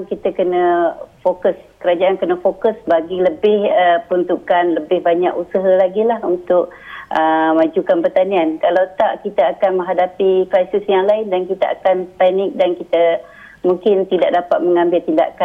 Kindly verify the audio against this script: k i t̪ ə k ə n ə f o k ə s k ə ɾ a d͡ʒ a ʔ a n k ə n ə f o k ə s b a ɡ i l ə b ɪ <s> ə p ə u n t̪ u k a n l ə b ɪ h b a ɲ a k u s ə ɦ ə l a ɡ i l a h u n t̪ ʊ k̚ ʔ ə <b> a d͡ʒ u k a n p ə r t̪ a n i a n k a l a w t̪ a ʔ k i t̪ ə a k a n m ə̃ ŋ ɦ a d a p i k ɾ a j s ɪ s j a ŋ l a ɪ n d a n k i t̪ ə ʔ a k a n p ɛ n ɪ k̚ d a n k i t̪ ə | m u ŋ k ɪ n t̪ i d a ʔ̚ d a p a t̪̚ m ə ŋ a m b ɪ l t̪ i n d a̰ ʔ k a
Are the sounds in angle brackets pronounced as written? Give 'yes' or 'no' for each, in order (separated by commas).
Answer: no, no